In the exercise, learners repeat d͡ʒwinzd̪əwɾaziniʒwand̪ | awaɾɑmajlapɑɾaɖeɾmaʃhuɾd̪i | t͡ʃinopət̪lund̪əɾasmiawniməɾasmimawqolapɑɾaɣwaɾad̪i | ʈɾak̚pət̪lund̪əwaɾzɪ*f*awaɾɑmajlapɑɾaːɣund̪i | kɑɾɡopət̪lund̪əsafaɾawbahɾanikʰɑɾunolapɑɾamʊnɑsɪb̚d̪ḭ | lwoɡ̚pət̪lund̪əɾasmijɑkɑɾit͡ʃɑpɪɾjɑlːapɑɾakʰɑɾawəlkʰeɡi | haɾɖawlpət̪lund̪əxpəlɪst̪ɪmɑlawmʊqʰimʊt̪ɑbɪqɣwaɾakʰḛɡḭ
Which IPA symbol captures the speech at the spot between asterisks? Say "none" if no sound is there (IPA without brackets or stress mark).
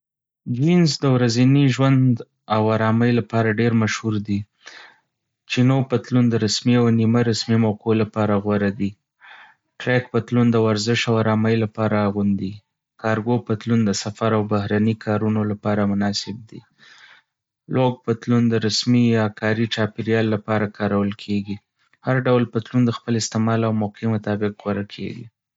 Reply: ʃ